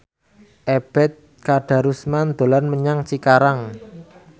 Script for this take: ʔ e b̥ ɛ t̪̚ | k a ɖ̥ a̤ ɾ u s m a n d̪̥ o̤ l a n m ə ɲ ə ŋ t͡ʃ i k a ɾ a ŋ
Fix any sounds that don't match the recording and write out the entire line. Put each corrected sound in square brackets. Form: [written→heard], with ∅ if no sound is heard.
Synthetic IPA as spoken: ʔ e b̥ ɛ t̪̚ | k a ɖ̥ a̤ ɾ u s m a n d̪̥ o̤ l a n m ə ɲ [ə→a] ŋ t͡ʃ i k a ɾ a ŋ